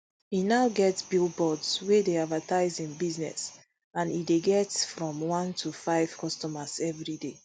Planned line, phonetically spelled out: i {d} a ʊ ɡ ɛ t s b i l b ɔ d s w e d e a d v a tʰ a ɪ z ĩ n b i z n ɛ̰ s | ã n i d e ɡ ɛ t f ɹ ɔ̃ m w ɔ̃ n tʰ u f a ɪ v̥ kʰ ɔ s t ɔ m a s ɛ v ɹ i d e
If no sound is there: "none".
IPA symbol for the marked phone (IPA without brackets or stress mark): n